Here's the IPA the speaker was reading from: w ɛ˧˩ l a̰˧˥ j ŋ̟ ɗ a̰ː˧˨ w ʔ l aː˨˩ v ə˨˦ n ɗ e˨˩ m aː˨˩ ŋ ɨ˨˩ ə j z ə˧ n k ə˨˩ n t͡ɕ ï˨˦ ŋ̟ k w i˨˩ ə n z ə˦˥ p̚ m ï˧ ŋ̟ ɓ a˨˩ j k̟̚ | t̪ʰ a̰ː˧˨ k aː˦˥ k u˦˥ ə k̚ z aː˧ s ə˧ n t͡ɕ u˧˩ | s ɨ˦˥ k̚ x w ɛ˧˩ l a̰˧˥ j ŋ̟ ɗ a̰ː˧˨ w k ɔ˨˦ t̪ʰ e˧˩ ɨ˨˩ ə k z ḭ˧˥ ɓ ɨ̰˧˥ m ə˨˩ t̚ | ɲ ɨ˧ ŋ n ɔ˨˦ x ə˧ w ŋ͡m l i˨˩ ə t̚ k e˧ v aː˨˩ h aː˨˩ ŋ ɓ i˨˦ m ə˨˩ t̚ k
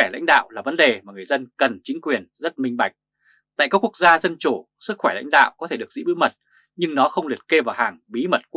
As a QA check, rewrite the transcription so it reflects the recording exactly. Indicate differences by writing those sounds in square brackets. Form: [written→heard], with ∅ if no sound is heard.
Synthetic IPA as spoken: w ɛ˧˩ l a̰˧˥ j ŋ̟ ɗ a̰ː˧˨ w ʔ l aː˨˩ v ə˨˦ n ɗ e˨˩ m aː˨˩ ŋ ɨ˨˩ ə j z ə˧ n k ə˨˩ n t͡ɕ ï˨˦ ŋ̟ k w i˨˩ ə n z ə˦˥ [p̚→t̚] m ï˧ ŋ̟ ɓ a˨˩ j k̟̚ | [t̪ʰ→t̪] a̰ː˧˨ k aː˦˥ k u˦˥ ə k̚ z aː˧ [s→z] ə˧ n t͡ɕ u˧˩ | s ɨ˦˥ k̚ x w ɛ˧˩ l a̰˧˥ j ŋ̟ ɗ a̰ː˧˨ w k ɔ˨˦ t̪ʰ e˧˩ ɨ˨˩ ə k z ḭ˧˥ ɓ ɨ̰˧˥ m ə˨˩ t̚ | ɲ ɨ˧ ŋ n ɔ˨˦ x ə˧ w ŋ͡m l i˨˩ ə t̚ k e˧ v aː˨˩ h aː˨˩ ŋ ɓ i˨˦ m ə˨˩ t̚ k

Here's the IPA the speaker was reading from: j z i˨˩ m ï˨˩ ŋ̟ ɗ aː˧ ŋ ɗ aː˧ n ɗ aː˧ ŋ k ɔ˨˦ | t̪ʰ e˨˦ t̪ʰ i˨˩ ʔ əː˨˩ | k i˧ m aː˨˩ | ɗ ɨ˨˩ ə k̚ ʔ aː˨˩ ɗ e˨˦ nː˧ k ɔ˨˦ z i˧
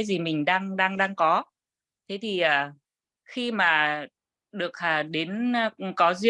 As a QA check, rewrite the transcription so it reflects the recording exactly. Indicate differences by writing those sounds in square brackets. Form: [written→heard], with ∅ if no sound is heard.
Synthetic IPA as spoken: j z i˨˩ m ï˨˩ ŋ̟ ɗ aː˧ ŋ ɗ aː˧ [n→ŋ] ɗ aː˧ ŋ k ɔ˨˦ | t̪ʰ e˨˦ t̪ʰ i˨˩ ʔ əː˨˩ | [k→x] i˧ m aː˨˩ | ɗ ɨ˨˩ ə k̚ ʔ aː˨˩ ɗ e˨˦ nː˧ k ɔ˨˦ z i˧

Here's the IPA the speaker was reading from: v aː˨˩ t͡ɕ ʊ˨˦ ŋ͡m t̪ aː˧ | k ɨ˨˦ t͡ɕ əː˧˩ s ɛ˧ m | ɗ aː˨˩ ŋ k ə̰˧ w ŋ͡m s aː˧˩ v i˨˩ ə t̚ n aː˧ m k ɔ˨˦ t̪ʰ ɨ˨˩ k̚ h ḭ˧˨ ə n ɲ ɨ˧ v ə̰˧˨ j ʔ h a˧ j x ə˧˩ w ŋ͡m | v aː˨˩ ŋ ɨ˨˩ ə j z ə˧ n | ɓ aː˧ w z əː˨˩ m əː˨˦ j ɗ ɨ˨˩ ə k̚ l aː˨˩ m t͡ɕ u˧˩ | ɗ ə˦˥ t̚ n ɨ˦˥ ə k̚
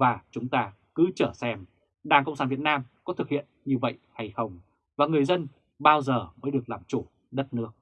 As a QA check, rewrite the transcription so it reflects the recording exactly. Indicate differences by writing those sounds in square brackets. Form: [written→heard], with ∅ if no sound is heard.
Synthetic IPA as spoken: v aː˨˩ t͡ɕ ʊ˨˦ ŋ͡m t̪ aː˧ | k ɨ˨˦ t͡ɕ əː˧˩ s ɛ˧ m | ɗ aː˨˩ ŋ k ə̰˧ w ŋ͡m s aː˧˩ v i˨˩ ə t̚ n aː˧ m k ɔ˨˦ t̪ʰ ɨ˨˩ k̚ h ḭ˧˨ ə n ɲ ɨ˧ v ə̰˧˨ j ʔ h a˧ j x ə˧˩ w ŋ͡m | v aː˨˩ ŋ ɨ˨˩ ə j z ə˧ n | ɓ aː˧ w z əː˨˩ m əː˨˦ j ɗ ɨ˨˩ ə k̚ l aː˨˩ m t͡ɕ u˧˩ | ɗ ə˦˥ t̚ n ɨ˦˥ ə k̚

